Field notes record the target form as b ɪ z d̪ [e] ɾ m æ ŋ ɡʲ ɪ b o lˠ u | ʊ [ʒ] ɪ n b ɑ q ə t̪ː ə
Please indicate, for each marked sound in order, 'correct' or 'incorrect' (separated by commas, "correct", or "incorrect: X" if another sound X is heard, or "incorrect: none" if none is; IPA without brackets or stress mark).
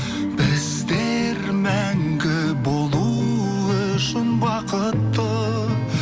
correct, incorrect: ʃ